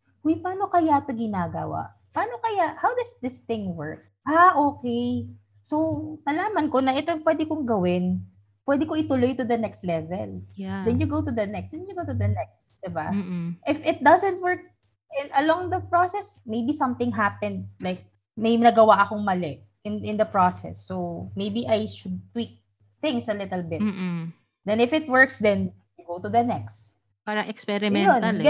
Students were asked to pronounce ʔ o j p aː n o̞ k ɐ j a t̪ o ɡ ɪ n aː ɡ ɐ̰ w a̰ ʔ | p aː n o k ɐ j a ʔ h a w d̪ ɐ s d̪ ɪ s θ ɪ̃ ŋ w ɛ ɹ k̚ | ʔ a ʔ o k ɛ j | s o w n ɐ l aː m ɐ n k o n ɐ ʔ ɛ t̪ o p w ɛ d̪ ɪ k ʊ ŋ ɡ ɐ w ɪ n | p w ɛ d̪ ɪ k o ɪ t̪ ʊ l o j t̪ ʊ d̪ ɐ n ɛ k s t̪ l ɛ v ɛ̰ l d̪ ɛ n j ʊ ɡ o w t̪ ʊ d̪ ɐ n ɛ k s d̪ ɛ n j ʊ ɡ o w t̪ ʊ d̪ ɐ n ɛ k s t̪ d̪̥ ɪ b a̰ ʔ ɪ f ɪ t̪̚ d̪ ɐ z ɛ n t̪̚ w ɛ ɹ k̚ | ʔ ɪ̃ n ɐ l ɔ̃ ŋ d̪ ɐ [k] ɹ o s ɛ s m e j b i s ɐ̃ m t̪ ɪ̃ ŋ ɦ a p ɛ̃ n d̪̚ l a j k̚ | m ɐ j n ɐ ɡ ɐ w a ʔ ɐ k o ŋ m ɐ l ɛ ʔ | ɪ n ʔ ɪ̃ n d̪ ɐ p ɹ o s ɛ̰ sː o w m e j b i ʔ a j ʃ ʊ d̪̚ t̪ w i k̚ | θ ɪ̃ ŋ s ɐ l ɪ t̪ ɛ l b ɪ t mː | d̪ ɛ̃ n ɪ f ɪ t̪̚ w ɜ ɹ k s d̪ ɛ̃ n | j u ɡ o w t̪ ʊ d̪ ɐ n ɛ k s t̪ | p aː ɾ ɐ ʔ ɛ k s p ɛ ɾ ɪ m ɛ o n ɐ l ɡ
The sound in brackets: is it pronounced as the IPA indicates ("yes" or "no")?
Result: no